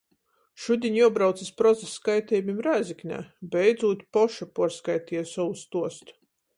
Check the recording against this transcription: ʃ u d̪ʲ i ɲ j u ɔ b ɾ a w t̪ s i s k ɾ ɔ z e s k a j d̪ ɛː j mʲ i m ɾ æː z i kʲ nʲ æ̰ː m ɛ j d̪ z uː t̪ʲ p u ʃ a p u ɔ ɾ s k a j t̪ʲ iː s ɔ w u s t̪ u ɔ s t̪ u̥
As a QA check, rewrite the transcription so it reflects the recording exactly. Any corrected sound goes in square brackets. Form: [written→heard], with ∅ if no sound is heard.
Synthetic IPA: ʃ u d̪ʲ i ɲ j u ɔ b ɾ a w t̪ s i s [k→p] ɾ ɔ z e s k a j [d̪→t̪] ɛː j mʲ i m ɾ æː z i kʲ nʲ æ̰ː [m→b] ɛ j d̪ z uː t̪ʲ p [u→ɔ] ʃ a p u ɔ ɾ s k a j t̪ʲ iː s ɔ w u s t̪ u ɔ s t̪ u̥

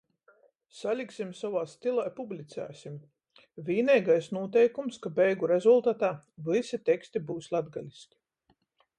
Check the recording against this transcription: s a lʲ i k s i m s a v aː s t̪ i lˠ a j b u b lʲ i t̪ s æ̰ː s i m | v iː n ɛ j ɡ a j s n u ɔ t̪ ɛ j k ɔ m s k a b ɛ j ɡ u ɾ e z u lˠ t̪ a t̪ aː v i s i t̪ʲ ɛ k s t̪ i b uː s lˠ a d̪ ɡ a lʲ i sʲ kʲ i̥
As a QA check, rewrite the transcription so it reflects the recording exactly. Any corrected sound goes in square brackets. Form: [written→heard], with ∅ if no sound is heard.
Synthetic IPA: s a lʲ i k s i m s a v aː s t̪ i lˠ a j [b→p] u b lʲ i t̪ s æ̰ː s i m | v iː n ɛ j ɡ a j s n u ɔ t̪ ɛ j k [ɔ→u] m s k a b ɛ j ɡ u ɾ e z u lˠ t̪ a t̪ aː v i s i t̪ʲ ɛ k s t̪ i b uː s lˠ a d̪ ɡ a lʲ i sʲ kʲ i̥

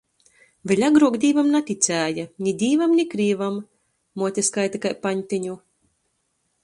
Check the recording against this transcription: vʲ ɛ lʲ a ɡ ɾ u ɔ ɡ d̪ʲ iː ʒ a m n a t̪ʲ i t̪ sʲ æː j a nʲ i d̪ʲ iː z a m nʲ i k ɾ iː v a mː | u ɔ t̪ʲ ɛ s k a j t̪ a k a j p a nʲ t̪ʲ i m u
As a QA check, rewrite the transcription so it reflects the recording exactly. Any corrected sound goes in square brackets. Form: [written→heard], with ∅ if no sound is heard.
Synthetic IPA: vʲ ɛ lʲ a ɡ ɾ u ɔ ɡ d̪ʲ iː [ʒ→v] a m n a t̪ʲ i t̪ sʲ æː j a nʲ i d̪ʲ iː [z→v] a m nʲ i k ɾ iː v a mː | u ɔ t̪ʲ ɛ s k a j t̪ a k a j p a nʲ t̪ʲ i [m→ɲ] u

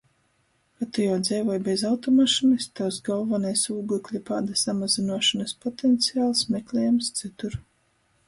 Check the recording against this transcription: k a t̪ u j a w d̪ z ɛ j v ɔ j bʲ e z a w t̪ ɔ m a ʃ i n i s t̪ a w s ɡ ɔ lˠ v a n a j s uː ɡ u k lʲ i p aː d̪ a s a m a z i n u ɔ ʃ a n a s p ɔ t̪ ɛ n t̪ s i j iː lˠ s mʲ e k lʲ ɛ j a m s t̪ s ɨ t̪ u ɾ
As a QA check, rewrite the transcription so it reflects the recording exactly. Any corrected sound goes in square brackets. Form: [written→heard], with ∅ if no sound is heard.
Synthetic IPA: k a t̪ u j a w d̪ z ɛ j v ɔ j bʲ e z a w t̪ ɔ m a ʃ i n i s t̪ a w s ɡ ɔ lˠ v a n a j s uː ɡ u k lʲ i p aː d̪ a s a m a z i n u ɔ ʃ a n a s p ɔ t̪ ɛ n t̪ s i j [iː→aː] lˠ s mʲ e k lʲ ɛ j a m s t̪ s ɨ t̪ u ɾ

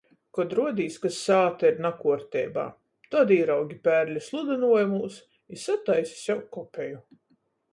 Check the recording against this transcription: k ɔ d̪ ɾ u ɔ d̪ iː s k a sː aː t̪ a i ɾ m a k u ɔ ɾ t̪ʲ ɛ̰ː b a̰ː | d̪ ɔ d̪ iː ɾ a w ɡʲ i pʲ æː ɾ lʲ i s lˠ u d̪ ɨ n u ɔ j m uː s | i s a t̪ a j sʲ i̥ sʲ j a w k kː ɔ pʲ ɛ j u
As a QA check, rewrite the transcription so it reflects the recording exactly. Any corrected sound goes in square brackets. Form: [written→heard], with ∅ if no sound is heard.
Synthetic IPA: k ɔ d̪ ɾ u ɔ d̪ iː s k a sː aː t̪ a i ɾ [m→n] a k u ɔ ɾ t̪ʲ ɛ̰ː b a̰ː | [d̪→t̪] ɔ d̪ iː ɾ a w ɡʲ i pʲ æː ɾ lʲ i s lˠ u d̪ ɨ n u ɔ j m uː s | i s a t̪ a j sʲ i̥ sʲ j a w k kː ɔ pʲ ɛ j u

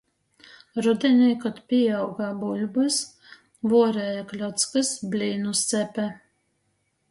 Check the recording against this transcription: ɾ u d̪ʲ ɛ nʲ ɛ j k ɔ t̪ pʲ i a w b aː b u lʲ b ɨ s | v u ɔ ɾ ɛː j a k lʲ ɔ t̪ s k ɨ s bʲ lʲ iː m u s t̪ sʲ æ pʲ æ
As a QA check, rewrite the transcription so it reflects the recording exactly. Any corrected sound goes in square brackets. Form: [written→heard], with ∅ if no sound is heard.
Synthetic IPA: ɾ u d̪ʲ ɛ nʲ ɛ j k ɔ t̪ pʲ i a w [b→ɡ] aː b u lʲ b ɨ s | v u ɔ ɾ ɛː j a k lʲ ɔ t̪ s k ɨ s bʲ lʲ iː [m→n] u s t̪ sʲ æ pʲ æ

